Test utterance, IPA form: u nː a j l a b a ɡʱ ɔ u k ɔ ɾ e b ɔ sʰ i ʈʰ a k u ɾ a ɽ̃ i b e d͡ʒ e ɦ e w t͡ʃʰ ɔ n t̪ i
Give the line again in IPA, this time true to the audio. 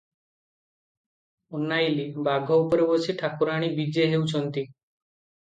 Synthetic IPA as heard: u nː a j l i b a ɡʱ ɔ u p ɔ ɾ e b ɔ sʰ i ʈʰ a k u ɾ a ɽ̃ i b i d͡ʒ e ɦ e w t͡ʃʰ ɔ n t̪ i

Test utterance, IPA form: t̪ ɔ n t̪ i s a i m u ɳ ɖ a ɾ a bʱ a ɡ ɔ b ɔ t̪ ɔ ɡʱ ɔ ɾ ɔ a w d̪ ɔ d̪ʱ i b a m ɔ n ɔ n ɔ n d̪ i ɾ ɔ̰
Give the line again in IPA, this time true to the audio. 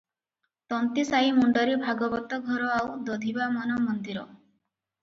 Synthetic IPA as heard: t̪ ɔ n t̪ i s a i m u ɳ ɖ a ɾ i bʱ a ɡ ɔ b ɔ t̪ ɔ ɡʱ ɔ ɾ ɔ a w d̪ ɔ d̪ʱ i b a m ɔ n ɔ m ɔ n d̪ i ɾ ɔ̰

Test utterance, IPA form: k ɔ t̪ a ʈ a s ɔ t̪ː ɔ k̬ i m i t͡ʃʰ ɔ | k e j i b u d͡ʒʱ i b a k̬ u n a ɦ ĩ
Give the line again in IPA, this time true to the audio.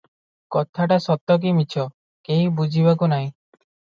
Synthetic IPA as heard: k ɔ t̪ʰ a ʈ a s ɔ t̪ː ɔ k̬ i m i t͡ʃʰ ɔ | k e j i b u d͡ʒʱ i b a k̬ u n a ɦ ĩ

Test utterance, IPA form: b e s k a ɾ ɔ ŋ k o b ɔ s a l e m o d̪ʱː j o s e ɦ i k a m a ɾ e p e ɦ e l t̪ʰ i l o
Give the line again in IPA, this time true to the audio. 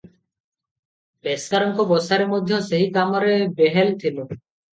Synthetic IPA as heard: b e s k a ɾ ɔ ŋ k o b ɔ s a ɾ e m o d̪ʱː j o s e ɦ i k a m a ɾ e b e ɦ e l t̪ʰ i l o

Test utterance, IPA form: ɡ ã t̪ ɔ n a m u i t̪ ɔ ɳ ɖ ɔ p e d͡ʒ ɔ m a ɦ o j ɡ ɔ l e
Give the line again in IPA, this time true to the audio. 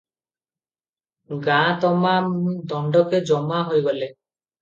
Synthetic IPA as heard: ɡ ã t̪ ɔ m a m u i d̪ ɔ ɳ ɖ ɔ k e d͡ʒ ɔ m a ɦ o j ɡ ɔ l e

